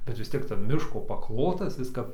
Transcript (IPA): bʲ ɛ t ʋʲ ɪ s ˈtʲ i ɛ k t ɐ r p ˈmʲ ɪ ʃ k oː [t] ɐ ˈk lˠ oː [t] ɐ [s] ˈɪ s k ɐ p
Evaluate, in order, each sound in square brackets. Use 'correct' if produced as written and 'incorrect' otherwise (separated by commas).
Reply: incorrect, correct, correct